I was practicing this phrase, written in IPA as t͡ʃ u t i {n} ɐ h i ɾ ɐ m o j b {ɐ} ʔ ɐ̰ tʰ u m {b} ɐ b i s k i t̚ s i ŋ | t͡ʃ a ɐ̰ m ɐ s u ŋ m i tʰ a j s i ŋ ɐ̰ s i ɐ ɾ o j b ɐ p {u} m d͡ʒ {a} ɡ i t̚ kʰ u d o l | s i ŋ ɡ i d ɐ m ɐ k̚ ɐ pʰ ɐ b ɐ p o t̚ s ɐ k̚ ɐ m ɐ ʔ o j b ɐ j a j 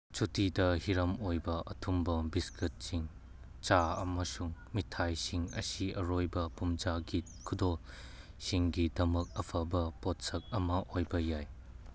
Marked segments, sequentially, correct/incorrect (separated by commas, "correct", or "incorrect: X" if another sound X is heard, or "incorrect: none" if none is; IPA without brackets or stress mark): incorrect: d, correct, correct, correct, correct